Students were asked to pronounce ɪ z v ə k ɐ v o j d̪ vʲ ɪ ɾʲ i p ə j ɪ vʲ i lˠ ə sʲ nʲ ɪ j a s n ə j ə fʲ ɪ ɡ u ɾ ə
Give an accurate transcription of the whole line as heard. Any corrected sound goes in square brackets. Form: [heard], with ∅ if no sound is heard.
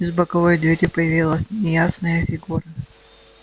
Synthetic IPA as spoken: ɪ z [b] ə k ɐ v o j d̪ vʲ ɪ ɾʲ i p ə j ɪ vʲ i lˠ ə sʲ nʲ ɪ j a s n ə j ə fʲ ɪ ɡ u ɾ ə